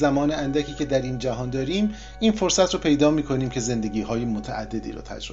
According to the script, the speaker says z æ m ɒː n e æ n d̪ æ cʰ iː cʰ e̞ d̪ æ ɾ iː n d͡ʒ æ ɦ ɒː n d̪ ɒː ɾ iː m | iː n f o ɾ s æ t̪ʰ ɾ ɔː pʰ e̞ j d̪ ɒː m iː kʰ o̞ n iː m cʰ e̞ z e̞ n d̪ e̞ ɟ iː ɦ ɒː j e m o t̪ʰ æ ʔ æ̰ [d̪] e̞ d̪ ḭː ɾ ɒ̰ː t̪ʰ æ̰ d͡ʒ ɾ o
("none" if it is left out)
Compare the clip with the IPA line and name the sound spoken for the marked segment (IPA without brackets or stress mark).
d̪ː